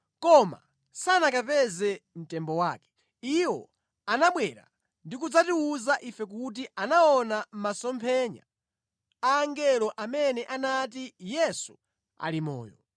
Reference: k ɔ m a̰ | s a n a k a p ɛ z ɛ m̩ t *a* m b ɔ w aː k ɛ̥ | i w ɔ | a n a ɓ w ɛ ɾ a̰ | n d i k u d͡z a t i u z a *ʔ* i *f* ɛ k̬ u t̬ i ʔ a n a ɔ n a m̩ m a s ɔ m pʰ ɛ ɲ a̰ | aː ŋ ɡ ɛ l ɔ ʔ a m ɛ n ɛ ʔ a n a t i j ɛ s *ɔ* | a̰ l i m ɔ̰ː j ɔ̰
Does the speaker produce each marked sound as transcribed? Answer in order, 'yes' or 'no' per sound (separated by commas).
no, yes, yes, no